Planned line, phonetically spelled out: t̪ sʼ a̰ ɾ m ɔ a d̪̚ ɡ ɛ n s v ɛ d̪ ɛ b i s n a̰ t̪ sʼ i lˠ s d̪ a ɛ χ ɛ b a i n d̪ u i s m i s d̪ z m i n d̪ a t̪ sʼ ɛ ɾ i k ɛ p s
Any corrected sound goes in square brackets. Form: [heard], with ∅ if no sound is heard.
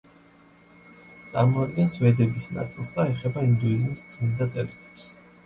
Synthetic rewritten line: t̪ sʼ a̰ ɾ m ɔ a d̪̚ ɡ ɛ n s v ɛ d̪ ɛ b i s n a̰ t̪ sʼ i lˠ s d̪ a ɛ χ ɛ b a i n d̪ u i [z] m i s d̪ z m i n d̪ a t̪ sʼ ɛ ɾ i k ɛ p s